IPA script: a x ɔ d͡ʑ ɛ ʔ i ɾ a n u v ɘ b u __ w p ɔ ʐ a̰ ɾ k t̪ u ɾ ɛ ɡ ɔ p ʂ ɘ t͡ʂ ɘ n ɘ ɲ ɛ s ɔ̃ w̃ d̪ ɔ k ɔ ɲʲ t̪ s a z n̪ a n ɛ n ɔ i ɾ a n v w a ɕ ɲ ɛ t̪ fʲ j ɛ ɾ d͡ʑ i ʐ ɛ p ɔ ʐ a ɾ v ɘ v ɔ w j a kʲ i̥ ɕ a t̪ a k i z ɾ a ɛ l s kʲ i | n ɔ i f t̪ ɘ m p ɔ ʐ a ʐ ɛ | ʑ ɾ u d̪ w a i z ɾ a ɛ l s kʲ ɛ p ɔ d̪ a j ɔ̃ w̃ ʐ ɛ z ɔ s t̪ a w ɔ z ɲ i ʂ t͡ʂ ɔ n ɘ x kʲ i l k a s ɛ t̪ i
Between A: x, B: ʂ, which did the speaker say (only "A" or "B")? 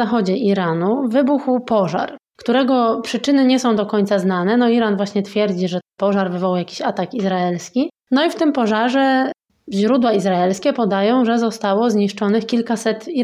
A